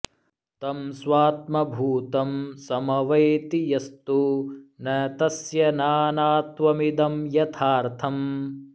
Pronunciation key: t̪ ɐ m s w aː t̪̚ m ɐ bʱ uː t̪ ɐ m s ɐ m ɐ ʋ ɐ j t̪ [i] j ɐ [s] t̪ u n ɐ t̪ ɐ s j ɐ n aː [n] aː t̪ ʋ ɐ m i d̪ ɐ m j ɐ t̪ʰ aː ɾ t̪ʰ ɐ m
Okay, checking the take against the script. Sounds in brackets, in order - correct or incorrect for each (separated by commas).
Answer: correct, correct, correct